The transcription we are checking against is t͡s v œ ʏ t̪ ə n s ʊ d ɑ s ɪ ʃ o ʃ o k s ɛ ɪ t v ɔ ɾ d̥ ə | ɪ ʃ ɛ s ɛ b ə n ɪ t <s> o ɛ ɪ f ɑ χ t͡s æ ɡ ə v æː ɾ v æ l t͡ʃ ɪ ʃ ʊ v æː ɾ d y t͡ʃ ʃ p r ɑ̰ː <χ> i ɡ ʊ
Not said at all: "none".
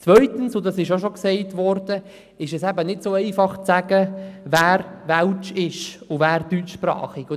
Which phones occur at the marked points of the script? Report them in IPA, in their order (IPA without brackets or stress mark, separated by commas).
s, χ